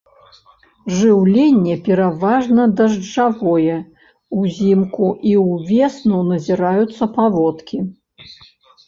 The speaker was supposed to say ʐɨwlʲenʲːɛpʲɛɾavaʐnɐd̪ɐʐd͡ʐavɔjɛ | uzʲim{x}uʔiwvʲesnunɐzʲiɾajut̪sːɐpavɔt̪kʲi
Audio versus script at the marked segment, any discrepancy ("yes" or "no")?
yes